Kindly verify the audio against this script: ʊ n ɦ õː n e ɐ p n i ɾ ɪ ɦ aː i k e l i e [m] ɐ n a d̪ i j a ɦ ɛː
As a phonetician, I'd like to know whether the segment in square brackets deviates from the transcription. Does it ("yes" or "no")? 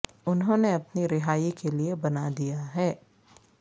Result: yes